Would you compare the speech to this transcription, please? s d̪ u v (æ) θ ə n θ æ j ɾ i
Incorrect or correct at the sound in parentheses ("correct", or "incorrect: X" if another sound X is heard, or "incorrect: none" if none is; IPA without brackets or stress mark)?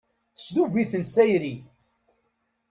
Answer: incorrect: i